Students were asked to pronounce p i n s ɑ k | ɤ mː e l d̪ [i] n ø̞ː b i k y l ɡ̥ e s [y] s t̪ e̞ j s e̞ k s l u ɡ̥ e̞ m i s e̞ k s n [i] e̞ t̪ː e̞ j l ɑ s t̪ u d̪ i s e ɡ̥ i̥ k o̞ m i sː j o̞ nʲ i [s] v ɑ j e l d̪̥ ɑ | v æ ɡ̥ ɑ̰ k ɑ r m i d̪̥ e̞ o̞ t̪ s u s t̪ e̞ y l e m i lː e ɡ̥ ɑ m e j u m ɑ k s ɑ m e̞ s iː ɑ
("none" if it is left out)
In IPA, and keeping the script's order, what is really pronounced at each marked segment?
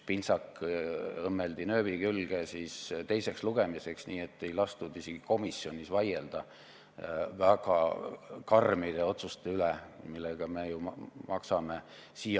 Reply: i, i, iː, s

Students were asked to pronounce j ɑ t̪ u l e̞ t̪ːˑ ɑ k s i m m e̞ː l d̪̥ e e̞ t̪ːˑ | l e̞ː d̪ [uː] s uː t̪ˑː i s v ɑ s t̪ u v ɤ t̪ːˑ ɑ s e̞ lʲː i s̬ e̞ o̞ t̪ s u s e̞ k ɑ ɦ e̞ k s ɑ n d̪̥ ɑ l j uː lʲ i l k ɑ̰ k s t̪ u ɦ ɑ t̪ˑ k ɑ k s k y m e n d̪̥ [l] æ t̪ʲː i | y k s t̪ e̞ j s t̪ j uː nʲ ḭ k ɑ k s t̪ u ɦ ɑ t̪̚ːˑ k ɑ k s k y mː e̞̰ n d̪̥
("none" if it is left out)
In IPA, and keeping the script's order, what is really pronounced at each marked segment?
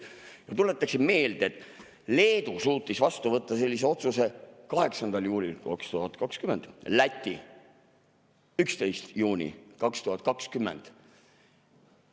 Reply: u, l

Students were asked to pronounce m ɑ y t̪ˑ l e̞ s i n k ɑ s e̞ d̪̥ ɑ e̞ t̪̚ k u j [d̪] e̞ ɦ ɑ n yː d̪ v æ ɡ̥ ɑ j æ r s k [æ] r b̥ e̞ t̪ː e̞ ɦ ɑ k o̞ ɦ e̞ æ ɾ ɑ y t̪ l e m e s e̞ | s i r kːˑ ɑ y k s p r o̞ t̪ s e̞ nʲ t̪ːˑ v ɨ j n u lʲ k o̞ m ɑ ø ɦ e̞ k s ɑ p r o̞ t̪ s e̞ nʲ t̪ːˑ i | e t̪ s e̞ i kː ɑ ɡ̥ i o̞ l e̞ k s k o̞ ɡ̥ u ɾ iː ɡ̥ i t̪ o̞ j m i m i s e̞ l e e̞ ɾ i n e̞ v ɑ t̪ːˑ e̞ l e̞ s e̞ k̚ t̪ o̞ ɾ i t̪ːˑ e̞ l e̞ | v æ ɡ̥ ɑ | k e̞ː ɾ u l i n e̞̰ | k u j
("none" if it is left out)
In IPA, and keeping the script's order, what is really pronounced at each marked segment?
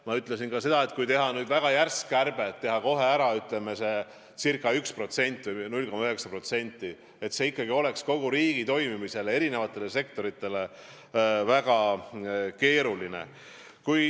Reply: t̪, æ

